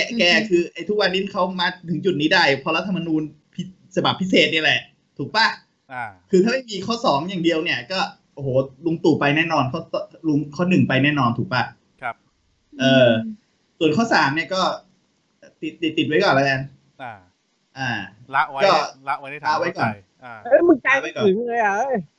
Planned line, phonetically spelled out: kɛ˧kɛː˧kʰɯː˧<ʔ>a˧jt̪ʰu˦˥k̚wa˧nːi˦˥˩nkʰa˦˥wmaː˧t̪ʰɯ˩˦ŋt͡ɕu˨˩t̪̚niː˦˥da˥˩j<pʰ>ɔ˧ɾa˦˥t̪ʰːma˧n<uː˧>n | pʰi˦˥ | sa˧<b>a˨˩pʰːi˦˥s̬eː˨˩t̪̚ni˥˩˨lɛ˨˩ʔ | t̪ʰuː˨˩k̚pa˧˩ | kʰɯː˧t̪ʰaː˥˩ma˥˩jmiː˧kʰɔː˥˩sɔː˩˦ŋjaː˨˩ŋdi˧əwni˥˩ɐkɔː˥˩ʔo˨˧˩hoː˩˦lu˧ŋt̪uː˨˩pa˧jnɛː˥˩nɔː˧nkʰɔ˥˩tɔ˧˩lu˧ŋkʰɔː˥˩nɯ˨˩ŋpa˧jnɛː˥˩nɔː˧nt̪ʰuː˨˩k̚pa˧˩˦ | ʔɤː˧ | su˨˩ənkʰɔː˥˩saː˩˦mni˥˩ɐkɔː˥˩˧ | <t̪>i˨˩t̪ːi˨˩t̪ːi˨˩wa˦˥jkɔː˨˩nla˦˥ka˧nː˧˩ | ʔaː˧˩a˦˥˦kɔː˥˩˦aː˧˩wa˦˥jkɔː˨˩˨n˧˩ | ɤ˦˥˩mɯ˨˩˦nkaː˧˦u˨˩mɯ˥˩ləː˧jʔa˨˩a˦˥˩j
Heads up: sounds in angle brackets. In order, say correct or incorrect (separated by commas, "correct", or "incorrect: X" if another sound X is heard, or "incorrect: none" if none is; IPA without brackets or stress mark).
correct, correct, correct, correct, correct